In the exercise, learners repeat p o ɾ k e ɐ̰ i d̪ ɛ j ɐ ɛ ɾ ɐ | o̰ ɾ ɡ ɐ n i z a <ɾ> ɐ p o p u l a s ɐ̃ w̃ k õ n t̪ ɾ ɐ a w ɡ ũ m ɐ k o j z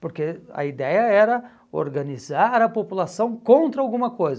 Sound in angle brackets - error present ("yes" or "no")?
no